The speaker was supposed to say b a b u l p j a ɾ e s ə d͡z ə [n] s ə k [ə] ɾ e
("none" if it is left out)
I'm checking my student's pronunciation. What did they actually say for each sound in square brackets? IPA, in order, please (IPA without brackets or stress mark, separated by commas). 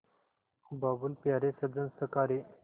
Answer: n, a